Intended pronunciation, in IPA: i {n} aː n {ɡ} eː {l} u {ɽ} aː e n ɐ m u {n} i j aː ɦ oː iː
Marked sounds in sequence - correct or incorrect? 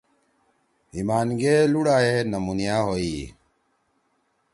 incorrect: m, correct, correct, correct, correct

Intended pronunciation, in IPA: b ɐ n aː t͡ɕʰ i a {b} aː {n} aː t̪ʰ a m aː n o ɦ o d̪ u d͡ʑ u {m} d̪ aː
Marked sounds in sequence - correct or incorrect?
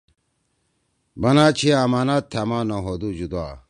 incorrect: m, correct, incorrect: none

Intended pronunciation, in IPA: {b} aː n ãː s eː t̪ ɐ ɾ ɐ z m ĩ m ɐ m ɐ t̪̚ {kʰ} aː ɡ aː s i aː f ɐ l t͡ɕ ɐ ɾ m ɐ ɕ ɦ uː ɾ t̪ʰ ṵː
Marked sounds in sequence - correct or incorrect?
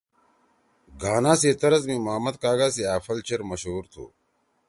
incorrect: ɡ, incorrect: k

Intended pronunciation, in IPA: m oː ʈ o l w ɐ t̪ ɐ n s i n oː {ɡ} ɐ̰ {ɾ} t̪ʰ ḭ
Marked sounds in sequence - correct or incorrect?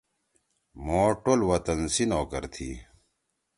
incorrect: k, correct

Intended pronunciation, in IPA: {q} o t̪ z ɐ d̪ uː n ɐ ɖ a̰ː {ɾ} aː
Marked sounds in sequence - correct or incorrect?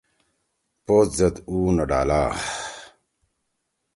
incorrect: p, incorrect: l

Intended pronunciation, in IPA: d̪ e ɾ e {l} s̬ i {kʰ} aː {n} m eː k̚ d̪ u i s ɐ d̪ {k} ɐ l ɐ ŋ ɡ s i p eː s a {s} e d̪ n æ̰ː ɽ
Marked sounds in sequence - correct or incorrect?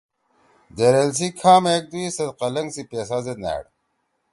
correct, correct, incorrect: none, incorrect: q, incorrect: z

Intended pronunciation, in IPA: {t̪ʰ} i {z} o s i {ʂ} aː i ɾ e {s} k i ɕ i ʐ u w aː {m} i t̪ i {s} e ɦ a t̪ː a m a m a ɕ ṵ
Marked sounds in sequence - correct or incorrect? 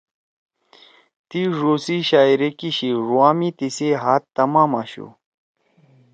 incorrect: t̪, incorrect: ʐ, incorrect: ɕ, incorrect: none, correct, correct

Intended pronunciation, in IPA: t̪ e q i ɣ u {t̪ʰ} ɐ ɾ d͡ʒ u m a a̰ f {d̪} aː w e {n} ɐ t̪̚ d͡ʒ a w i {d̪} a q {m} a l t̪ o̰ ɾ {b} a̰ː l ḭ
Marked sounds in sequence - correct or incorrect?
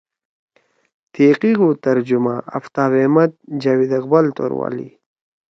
incorrect: t̪, incorrect: t̪, incorrect: m, correct, incorrect: b, incorrect: w

